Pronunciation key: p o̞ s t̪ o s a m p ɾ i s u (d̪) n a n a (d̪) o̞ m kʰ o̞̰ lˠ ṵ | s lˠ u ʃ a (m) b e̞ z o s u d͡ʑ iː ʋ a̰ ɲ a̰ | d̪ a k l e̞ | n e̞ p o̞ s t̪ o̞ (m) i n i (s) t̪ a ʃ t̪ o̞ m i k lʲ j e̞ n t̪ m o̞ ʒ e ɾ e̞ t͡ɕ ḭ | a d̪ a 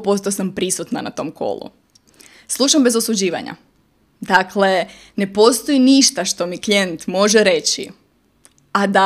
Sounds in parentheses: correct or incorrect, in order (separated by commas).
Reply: incorrect, incorrect, correct, incorrect, incorrect